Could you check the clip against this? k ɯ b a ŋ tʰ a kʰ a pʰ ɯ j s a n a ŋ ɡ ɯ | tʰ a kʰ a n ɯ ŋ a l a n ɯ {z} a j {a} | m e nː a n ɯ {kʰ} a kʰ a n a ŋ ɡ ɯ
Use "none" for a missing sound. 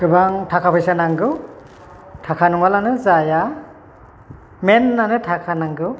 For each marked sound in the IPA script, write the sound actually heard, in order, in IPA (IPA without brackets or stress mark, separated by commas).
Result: z, a, tʰ